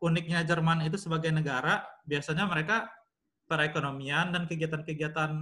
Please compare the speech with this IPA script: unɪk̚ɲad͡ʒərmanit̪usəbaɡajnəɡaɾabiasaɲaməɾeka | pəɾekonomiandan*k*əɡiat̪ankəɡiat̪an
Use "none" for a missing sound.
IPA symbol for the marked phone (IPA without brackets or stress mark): k